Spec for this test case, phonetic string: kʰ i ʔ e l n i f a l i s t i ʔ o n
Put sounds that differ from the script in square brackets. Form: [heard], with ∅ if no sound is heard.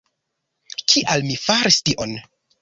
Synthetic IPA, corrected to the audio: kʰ i ʔ [a] l [m] i f a [ɾ] i s t i ʔ o n